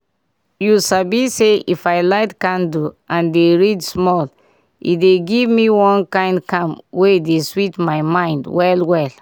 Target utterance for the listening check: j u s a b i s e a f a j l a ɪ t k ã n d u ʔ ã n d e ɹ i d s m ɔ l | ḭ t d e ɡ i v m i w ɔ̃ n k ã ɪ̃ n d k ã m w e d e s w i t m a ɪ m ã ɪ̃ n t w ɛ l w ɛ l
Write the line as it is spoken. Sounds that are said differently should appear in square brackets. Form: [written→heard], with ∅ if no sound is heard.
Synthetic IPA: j u s a b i s e [a→i] f a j l a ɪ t k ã n d u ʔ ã n d e ɹ i d s m ɔ l | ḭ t d e ɡ i v m i w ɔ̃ n k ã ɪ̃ n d k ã m w e d e s w i t m a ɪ m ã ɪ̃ n [t→d] w ɛ l w ɛ l